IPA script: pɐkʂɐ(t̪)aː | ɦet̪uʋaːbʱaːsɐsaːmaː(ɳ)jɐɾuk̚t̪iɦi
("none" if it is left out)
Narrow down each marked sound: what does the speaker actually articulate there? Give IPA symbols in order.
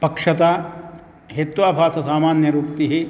t̪, n

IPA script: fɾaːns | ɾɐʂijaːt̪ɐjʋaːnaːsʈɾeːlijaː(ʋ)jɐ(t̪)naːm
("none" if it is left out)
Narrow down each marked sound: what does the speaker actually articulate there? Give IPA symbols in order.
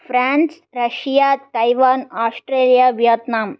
ʋ, t̪

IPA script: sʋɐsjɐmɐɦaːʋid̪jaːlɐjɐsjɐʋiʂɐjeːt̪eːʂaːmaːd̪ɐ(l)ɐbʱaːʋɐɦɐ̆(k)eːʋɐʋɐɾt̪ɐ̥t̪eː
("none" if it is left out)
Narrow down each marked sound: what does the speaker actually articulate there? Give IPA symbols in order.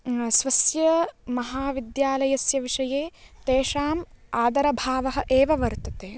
ɾ, ʔ

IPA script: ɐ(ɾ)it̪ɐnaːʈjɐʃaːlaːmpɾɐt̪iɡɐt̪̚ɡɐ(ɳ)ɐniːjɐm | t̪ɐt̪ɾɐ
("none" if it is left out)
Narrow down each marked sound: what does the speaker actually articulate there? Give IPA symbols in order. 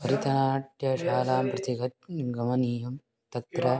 ɾ, m

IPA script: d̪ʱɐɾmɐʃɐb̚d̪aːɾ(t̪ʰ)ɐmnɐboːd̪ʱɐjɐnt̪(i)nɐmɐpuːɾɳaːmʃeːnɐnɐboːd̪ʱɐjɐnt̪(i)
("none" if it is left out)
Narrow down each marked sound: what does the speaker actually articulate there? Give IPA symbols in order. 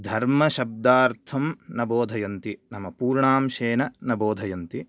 t̪ʰ, i, i

